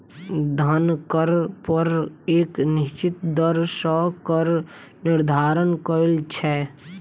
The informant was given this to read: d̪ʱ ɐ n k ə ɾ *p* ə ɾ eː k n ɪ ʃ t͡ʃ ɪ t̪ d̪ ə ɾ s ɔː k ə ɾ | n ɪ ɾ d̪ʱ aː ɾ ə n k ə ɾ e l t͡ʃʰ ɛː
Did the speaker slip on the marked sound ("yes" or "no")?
no